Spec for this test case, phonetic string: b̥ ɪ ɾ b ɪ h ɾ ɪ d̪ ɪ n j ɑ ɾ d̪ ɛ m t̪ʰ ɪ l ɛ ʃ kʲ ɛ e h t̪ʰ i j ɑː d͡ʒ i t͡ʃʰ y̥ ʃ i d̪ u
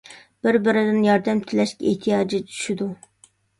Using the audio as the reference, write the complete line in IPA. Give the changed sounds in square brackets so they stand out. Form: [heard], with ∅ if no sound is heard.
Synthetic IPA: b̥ ɪ ɾ b ɪ [∅] ɾ ɪ d̪ ɪ n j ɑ ɾ d̪ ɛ m t̪ʰ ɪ l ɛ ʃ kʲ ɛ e h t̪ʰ i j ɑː d͡ʒ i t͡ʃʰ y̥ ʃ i d̪ u